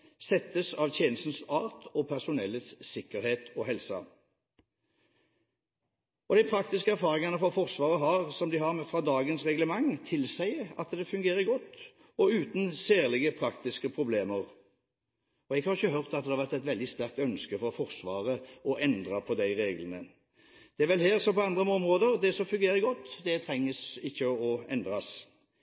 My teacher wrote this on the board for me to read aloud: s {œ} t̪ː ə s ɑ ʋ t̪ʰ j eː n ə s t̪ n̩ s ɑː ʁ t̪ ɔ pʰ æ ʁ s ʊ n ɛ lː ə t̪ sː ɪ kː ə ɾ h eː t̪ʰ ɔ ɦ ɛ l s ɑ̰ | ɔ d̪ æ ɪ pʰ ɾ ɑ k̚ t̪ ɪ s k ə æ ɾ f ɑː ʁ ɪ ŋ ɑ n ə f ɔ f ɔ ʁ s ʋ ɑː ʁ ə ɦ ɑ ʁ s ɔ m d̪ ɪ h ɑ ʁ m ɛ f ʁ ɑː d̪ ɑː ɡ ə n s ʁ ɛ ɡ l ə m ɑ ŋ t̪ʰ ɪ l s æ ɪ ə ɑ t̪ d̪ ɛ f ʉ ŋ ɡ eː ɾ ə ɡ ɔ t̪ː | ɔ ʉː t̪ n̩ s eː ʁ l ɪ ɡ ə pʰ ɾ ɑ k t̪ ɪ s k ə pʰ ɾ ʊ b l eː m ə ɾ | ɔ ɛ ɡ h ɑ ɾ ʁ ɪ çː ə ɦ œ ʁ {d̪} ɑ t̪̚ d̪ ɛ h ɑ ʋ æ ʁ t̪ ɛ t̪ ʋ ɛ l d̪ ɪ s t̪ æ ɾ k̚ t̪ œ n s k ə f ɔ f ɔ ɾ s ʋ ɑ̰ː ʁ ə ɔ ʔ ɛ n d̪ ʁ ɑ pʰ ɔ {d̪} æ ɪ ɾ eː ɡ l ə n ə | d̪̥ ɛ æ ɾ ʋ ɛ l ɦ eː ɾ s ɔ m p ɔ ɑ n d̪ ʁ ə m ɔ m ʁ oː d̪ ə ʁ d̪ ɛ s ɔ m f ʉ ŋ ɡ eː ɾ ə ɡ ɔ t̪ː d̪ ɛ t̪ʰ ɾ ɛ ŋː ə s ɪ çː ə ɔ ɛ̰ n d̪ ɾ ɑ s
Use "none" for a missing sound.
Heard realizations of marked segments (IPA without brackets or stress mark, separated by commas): ɛ, t̪, d̪